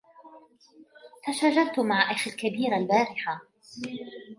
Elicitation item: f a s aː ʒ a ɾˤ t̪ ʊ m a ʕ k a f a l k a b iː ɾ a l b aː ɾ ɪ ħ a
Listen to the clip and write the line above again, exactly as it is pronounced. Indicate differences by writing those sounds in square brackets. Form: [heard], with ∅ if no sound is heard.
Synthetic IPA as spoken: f a [ʃ] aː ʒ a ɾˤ t̪ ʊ m a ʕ [ʔ] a [x] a l k a b iː ɾ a l b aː ɾ ɪ ħ a